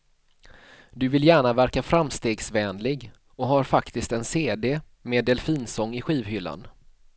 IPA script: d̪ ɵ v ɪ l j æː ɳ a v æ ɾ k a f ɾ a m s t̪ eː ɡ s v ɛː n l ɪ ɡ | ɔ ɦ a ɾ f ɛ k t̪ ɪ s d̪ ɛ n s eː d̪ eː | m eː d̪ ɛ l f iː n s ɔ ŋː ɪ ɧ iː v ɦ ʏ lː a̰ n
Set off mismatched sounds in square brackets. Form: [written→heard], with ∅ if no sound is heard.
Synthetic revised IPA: d̪ ɵ v ɪ l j æː ɳ a v æ ɾ k a f ɾ a m s t̪ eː ɡ s v ɛː n l ɪ ɡ | ɔ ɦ a ɾ f [ɛ→a] k t̪ ɪ s [d̪→t̪] ɛ n s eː d̪ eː | m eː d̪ ɛ l f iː n s ɔ ŋː ɪ ɧ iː v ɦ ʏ lː a̰ n